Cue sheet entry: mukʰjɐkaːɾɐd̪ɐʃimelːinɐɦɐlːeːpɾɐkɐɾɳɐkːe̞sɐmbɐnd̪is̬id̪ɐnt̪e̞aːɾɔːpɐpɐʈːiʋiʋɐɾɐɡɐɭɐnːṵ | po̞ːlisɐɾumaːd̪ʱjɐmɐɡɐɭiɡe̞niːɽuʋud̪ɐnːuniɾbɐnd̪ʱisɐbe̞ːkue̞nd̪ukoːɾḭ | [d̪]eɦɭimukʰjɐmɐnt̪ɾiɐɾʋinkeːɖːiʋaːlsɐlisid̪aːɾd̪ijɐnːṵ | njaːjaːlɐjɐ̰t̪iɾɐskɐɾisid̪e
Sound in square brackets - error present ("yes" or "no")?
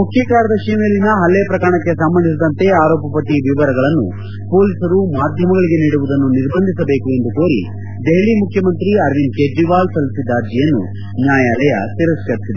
no